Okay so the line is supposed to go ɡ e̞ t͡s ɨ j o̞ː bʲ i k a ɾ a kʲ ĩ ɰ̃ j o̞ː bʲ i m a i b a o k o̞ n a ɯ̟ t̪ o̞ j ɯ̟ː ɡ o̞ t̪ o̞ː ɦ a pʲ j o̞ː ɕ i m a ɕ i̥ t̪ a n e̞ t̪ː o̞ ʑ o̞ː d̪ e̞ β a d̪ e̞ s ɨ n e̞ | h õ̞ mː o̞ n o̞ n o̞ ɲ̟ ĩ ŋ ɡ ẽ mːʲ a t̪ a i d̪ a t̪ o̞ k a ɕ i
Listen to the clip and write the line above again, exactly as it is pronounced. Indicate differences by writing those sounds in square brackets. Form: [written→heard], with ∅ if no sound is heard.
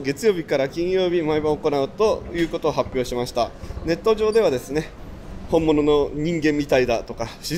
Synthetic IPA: ɡ e̞ t͡s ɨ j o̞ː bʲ i k a ɾ a kʲ ĩ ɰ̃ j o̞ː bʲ i m a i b a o k o̞ n a ɯ̟ t̪ o̞ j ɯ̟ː [ɡ→k] o̞ t̪ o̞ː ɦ a pʲ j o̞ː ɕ i m a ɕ i̥ t̪ a n e̞ t̪ː o̞ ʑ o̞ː d̪ e̞ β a d̪ e̞ s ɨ n e̞ | h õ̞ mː o̞ n o̞ n o̞ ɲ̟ ĩ ŋ ɡ ẽ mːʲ [a→i] t̪ a i d̪ a t̪ o̞ k a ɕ i